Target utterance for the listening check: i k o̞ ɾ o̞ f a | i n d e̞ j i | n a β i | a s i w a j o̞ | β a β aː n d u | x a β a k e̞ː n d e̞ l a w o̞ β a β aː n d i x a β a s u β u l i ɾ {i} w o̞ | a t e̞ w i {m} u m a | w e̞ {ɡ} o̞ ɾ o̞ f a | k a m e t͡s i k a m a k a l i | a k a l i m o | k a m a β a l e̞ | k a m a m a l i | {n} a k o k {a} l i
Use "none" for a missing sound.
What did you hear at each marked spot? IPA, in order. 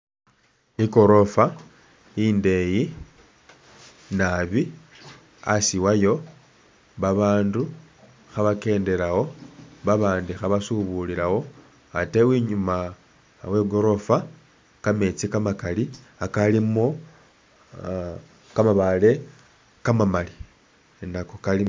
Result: a, ɲ, ɡ, n, a

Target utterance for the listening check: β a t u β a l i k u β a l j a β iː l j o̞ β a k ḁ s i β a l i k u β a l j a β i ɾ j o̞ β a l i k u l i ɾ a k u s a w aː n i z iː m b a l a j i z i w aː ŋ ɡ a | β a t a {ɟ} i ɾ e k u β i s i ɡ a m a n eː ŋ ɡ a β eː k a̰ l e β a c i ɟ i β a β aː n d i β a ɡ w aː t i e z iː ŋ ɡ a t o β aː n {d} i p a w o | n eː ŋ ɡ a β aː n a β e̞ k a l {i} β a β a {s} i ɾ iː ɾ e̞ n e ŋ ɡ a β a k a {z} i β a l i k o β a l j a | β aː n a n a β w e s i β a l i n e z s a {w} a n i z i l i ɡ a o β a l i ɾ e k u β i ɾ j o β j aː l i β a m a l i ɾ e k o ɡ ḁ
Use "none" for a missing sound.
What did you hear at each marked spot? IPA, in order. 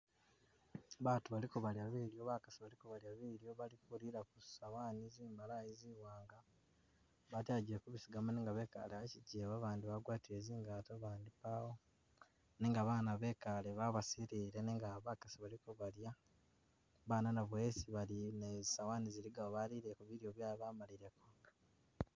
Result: ɟ, d, e, s, s, w

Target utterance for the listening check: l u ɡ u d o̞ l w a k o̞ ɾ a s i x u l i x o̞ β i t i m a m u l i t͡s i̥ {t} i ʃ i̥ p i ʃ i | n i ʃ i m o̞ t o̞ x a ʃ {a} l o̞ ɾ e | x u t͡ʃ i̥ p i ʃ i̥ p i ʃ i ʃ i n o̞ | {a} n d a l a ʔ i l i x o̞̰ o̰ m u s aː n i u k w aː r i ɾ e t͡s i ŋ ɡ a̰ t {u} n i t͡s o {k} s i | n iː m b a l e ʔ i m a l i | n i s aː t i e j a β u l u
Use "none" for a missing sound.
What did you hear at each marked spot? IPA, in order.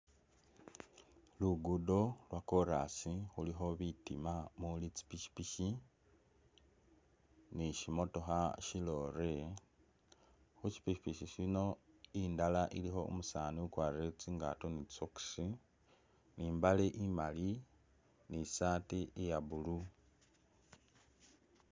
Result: p, i, i, o, k

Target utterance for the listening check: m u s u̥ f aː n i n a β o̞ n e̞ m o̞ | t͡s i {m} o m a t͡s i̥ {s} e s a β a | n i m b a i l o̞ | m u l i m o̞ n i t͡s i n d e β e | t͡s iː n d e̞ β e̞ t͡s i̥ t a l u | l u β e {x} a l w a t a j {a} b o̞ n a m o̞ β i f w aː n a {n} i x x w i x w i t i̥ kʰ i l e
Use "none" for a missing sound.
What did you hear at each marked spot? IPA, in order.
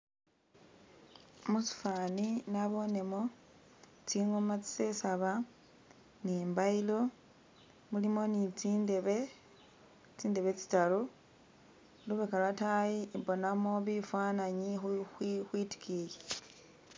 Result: ŋ, s, k, i, ɲ

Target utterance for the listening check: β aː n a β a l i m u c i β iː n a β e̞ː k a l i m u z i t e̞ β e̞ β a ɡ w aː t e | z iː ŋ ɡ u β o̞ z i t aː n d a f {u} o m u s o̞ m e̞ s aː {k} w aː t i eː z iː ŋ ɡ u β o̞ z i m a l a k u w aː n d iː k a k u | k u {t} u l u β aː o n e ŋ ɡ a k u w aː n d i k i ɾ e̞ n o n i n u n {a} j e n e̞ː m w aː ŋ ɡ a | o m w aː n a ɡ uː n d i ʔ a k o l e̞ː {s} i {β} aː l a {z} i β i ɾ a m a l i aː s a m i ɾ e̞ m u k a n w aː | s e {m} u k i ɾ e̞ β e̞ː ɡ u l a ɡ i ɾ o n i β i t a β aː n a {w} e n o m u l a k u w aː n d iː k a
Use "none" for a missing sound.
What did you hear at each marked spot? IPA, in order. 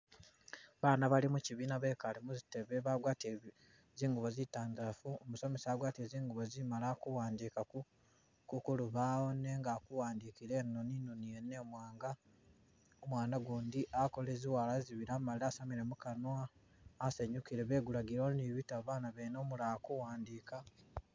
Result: u, ɡ, k, i, z, w, z, ɲ, β

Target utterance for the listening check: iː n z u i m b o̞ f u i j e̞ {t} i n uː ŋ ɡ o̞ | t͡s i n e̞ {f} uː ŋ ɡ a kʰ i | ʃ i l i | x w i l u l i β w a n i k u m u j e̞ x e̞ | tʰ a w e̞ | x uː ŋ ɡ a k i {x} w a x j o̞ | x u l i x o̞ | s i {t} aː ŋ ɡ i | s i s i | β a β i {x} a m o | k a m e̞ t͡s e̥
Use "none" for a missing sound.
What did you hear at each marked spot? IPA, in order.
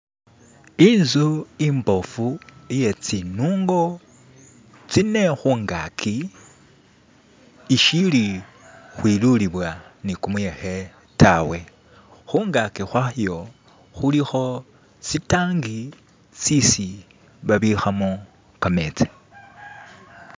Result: t͡s, x, x, t, x

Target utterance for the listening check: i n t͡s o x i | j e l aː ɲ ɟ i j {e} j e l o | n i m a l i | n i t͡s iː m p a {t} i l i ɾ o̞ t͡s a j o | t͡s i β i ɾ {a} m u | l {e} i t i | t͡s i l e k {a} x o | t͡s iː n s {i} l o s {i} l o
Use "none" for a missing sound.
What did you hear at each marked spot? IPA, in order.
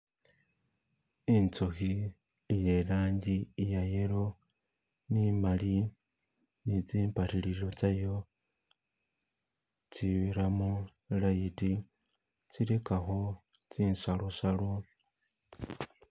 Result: a, t, a, a, a, a, a

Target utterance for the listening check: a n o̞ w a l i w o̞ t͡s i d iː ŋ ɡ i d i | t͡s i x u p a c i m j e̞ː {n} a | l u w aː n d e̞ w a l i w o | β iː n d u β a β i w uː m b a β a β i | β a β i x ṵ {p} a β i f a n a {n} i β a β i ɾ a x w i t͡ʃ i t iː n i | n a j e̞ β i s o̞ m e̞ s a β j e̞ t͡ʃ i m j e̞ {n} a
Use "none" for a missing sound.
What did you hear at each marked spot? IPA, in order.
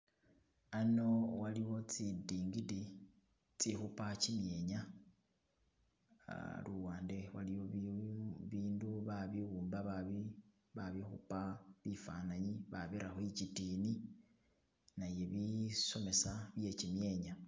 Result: ɲ, p, ɲ, ɲ

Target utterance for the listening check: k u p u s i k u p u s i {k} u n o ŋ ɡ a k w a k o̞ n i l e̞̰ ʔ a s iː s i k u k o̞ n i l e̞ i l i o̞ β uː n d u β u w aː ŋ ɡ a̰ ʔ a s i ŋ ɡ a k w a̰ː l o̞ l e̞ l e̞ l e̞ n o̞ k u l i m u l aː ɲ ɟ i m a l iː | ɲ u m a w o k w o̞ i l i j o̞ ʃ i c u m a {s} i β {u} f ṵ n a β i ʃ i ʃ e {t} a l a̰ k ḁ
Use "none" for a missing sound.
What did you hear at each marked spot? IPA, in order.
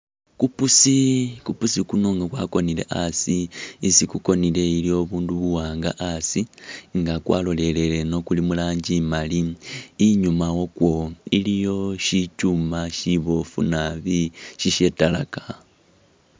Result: k, ʃ, o, t

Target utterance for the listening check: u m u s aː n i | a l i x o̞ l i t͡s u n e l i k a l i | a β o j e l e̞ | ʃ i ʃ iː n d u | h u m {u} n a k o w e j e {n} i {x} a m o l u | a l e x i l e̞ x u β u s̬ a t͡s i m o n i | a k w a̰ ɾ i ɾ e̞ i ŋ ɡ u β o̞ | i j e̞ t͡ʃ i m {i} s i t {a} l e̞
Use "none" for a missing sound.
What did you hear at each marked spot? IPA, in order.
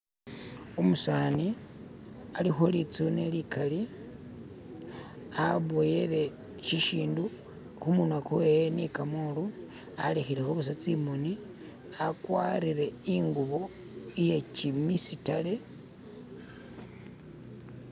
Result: u, n, k, i, a

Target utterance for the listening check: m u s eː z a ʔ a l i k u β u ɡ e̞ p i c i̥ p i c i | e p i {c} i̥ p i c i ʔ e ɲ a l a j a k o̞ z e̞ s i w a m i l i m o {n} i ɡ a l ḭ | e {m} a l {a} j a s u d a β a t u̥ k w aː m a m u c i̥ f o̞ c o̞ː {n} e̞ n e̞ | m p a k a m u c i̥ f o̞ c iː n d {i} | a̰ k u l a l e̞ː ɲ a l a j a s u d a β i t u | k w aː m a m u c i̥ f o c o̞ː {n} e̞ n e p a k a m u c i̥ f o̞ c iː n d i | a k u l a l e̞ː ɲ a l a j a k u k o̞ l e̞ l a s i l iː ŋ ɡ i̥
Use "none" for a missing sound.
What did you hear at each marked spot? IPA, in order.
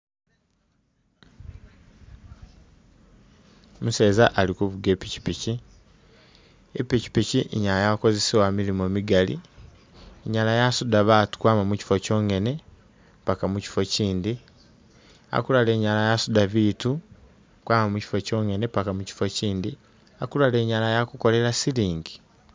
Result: c, m, ɲ, a, ŋ, i, ŋ

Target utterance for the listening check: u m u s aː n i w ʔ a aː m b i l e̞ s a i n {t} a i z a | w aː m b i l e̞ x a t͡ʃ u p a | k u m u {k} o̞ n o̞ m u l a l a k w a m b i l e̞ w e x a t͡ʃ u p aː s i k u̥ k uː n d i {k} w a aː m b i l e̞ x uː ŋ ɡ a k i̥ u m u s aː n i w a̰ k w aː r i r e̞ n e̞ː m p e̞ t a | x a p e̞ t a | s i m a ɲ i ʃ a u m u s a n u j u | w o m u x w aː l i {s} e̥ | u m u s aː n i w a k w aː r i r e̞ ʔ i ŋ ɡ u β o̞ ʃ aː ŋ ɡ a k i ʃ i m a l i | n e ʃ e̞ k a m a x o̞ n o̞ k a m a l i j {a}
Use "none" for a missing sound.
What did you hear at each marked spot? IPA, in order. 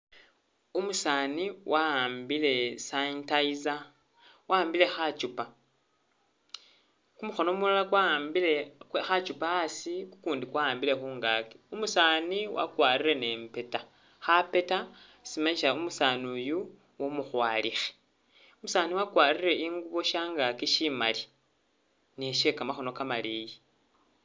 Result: t, x, k, x, i

